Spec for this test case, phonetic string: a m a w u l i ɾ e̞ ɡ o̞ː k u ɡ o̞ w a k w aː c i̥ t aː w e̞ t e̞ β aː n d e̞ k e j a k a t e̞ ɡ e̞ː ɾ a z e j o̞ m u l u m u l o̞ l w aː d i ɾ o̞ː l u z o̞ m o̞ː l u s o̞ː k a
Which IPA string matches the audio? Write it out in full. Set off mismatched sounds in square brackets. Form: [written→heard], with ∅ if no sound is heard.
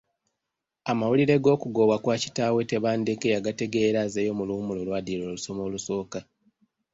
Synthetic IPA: a m a w u l i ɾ e̞ ɡ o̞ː k u ɡ o̞ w a k w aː c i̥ t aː w e̞ t e̞ β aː n d e̞ k e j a [k→ɡ] a t e̞ ɡ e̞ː ɾ a z e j o̞ m u l u m u l o̞ l w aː d i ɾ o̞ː l u [z→s] o̞ m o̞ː l u s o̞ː k a